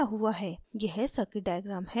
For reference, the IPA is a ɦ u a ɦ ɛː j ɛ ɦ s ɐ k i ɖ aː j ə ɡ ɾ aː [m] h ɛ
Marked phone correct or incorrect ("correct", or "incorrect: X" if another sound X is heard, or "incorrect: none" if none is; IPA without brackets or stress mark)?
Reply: correct